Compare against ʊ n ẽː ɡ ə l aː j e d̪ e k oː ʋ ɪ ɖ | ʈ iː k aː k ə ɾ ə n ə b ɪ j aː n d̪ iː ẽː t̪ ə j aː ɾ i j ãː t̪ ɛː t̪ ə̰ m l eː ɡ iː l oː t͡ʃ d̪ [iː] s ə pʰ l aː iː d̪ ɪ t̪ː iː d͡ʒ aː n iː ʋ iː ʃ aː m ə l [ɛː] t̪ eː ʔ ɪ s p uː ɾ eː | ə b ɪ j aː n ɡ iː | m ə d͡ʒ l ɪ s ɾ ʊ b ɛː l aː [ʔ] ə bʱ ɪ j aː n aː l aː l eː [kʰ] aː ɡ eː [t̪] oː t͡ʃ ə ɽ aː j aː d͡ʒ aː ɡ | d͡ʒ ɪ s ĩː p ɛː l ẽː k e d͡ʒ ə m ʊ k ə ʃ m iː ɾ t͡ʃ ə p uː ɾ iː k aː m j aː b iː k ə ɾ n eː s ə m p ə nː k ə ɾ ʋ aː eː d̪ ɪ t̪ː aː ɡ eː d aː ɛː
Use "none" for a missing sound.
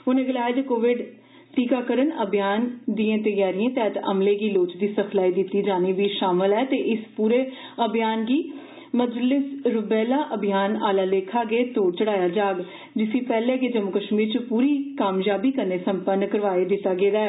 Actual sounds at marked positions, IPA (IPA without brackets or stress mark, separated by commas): iː, ɛː, ʔ, kʰ, t̪